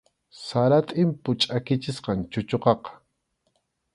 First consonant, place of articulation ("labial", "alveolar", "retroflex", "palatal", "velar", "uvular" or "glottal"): alveolar